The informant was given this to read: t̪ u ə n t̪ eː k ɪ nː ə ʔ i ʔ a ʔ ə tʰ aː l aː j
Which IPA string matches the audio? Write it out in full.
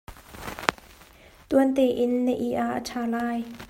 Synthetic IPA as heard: t̪ u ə n t̪ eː ʔ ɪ nː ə ʔ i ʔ a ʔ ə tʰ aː l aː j